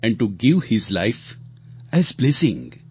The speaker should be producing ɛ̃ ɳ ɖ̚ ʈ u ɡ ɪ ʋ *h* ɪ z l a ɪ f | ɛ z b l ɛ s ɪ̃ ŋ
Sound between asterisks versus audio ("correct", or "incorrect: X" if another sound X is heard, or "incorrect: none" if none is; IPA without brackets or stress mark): correct